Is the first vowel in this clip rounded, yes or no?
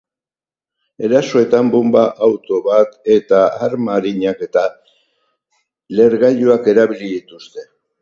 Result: no